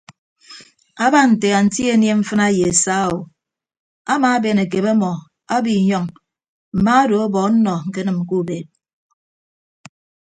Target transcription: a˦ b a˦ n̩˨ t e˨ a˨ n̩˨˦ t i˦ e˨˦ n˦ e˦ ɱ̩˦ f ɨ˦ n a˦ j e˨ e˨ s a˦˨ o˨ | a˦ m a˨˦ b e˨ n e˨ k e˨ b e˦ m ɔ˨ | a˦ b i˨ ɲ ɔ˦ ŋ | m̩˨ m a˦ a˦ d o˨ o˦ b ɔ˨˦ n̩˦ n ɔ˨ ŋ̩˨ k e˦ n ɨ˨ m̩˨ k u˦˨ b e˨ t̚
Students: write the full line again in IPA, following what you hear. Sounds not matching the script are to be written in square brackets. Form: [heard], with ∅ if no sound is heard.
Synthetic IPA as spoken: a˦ b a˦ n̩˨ t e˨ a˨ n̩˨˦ t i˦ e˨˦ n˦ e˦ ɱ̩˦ f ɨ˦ n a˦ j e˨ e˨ s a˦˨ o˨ | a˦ m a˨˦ b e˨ n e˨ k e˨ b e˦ m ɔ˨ | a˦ b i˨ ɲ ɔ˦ ŋ | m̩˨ m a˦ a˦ d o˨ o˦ b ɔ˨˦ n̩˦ n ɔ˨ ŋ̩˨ k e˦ n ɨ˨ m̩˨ k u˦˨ b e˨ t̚